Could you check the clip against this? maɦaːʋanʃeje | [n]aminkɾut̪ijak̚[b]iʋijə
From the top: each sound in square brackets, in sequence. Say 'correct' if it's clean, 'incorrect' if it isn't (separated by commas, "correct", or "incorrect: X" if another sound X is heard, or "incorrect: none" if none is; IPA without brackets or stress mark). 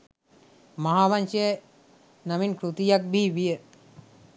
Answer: correct, correct